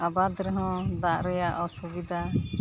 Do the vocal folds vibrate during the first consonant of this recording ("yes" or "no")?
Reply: yes